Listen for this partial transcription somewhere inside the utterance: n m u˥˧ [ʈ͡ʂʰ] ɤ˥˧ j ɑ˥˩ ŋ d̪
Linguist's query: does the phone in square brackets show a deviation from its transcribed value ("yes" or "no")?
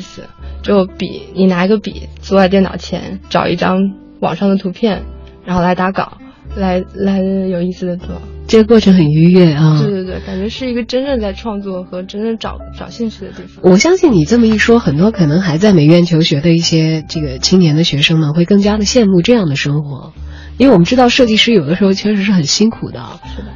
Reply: yes